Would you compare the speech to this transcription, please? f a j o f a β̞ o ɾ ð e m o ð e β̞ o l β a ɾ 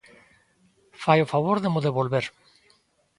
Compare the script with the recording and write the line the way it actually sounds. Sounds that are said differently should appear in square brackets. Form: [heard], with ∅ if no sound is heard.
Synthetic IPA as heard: f a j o f a β̞ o ɾ ð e m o ð e β̞ o l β [e] ɾ